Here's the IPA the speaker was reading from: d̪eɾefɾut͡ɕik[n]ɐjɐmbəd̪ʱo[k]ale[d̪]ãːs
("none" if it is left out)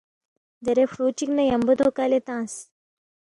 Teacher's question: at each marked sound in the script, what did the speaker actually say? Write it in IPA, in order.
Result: n, k, t̪

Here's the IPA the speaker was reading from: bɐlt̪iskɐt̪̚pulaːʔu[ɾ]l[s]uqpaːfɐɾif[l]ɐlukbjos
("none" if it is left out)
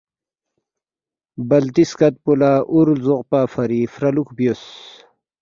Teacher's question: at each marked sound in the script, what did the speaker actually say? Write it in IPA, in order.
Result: ɾ, z, ɾ

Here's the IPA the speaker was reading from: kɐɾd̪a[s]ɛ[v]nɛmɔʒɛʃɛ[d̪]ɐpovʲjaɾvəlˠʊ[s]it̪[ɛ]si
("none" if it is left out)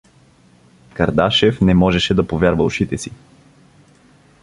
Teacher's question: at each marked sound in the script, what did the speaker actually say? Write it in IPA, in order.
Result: ʃ, f, d̪, ʃ, ɛ

